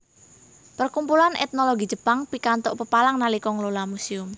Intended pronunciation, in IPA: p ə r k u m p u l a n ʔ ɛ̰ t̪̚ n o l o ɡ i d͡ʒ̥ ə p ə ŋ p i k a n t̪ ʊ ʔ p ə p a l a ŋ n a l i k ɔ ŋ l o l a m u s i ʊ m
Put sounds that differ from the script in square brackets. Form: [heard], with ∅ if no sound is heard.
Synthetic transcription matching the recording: p ə r k u m p u l a n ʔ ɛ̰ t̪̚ n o l o ɡ i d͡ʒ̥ ə p [a] ŋ p i k a n t̪ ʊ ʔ p ə p a l a ŋ n a l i k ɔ ŋ l o l a m u s i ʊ m